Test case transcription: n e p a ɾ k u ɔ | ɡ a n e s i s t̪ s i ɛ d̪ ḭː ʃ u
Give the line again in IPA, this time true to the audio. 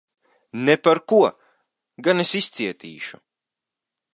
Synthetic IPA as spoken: n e p a ɾ k u ɔ | ɡ a n e s i s t̪ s i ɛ t̪ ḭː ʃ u